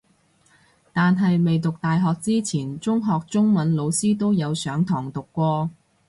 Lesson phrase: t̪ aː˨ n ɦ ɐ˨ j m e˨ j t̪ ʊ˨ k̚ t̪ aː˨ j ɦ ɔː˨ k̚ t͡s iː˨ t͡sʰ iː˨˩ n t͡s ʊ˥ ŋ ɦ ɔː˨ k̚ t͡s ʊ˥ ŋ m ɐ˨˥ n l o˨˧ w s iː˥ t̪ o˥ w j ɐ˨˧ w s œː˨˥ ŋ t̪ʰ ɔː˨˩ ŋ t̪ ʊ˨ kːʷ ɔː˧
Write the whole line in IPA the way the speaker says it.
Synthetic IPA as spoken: t̪ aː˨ n ɦ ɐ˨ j m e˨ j t̪ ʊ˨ k̚ t̪ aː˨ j ɦ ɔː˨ k̚ t͡s iː˥ t͡sʰ iː˨˩ n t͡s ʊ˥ ŋ ɦ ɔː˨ k̚ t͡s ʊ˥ ŋ m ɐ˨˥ n l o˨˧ w s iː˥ t̪ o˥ w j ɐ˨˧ w s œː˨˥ ŋ t̪ʰ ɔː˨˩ ŋ t̪ ʊ˨ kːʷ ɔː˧

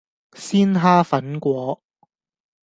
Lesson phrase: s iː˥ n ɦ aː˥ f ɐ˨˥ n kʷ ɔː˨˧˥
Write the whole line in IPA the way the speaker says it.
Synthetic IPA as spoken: s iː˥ n ɦ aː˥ f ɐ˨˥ n kʷ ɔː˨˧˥

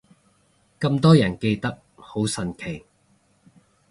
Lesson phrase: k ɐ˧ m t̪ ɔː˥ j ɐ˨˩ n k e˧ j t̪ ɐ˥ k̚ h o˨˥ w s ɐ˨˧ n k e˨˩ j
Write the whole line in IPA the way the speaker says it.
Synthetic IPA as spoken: k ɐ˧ m t̪ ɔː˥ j ɐ˨˩ n k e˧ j t̪ ɐ˥ k̚ h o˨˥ w s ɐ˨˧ n kʰ e˨˩ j

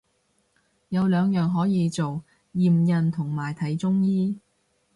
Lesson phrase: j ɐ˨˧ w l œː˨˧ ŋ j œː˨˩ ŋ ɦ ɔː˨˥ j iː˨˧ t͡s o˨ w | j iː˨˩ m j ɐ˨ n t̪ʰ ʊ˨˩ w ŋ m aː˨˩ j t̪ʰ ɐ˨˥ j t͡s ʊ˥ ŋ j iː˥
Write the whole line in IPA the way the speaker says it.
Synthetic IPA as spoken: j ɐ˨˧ w l œː˨˧ ŋ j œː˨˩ ŋ ɦ ɔː˨˥ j iː˨˧ t͡s o˨ w | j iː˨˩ m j ɐ˨ n t̪ʰ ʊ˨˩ ŋ m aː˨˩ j t̪ʰ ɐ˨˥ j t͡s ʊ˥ ŋ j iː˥

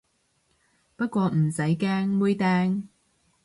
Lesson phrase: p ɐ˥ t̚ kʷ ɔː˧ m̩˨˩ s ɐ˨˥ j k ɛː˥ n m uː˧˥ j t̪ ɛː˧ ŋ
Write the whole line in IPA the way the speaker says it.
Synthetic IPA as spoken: p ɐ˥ t̚ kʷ ɔː˧ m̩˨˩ s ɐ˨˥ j k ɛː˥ ŋ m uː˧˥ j t̪ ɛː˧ ŋ

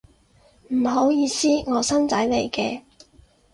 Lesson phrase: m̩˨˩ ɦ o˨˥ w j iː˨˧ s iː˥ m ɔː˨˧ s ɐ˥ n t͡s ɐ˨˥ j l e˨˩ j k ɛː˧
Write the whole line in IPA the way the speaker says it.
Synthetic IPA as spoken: m̩˨˩ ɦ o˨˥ w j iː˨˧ s iː˥ ŋ ɔː˨˧ s ɐ˥ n t͡s ɐ˨˥ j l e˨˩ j k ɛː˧

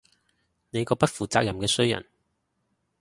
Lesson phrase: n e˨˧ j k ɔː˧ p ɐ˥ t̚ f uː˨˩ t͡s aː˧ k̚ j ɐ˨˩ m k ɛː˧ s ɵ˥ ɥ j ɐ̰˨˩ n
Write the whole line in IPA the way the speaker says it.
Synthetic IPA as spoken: n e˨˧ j k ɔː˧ p ɐ˥ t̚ f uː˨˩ t͡s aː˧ k̚ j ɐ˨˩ m k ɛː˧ s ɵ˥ ɥ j ɐ̰˨˩ n

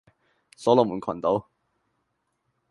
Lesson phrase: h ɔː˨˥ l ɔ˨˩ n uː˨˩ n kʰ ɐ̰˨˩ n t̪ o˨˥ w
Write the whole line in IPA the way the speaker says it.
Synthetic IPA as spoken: s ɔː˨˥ l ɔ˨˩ m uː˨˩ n kʰ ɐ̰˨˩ n t̪ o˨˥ w

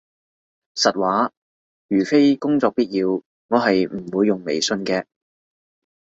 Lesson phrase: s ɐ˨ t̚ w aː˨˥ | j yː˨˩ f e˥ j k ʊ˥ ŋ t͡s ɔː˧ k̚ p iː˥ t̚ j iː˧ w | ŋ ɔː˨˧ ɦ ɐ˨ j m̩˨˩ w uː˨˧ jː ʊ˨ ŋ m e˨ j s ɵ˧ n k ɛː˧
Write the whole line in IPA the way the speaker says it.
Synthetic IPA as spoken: s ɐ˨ t̚ w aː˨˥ | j yː˨˩ f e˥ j k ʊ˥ ŋ t͡s ɔː˧ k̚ p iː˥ t̚ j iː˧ w | ŋ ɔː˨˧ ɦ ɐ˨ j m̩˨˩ w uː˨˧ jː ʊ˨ ŋ m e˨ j s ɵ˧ n k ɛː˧

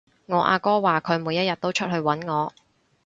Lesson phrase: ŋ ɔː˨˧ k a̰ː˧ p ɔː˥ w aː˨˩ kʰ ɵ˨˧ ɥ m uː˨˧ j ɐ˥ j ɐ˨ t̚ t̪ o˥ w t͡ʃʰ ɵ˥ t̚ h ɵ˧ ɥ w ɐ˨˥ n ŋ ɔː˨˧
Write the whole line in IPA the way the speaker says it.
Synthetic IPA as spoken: ŋ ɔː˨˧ ʔ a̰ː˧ k ɔː˥ w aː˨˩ kʰ ɵ˨˧ ɥ m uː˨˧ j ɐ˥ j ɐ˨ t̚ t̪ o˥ w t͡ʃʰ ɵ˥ t̚ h ɵ˧ ɥ w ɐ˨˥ n ŋ ɔː˨˧

